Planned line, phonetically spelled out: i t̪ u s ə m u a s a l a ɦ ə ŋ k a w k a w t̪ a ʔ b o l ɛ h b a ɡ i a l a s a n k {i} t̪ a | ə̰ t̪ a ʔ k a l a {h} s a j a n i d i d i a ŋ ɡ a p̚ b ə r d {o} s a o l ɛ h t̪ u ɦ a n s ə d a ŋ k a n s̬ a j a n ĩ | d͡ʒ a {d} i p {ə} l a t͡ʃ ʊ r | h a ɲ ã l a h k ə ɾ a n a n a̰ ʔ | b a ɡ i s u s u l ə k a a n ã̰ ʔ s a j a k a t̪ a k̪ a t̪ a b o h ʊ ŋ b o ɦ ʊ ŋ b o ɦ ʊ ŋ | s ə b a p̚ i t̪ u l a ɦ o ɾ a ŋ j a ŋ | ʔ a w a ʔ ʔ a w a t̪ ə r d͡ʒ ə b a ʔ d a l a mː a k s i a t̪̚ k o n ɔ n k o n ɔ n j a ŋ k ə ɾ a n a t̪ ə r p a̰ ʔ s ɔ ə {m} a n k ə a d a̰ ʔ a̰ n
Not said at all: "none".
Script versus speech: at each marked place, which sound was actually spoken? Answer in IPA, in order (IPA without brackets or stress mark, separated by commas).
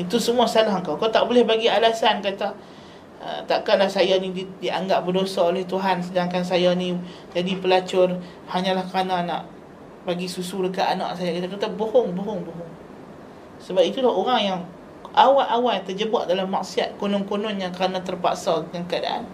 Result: a, h, o, d, ə, ŋ